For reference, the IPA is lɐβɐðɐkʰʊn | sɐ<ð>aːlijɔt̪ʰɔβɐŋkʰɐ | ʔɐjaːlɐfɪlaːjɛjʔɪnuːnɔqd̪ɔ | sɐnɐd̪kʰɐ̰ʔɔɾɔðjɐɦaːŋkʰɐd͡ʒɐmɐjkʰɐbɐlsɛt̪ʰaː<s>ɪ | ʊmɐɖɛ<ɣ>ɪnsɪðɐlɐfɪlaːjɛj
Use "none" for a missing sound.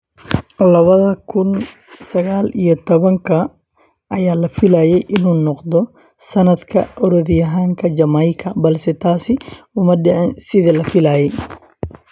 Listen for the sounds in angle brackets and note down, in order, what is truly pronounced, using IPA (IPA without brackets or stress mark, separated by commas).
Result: ɣ, s, ʕ